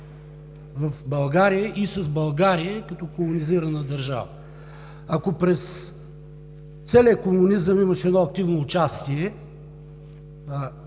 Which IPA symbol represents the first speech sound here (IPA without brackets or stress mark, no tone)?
v